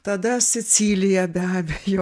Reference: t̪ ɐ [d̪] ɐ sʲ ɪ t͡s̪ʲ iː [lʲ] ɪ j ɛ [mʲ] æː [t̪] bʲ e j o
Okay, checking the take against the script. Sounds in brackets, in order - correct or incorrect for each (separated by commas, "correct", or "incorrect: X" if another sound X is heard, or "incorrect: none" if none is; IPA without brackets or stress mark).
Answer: correct, correct, incorrect: bʲ, incorrect: none